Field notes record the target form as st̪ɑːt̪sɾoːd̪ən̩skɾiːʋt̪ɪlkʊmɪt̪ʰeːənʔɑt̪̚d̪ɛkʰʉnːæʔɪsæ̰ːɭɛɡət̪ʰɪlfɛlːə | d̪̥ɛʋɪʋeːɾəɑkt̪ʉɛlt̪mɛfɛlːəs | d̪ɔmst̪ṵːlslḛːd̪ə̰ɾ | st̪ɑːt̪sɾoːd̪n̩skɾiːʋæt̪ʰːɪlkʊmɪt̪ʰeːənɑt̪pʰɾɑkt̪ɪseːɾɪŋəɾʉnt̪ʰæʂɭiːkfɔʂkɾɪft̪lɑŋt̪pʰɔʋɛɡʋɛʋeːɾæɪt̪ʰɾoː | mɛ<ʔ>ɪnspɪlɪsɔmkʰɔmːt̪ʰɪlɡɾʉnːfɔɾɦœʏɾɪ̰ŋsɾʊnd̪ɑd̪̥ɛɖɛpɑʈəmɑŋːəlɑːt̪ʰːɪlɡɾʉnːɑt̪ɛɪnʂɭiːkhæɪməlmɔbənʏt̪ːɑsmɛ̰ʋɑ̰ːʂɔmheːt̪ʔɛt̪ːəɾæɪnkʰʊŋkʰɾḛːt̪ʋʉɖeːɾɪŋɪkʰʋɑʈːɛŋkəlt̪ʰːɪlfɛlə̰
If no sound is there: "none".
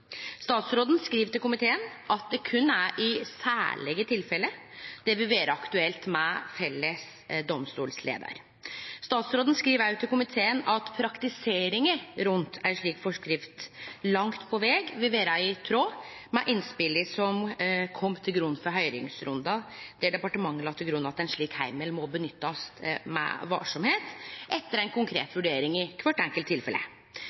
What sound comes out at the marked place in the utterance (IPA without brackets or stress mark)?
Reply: ʔ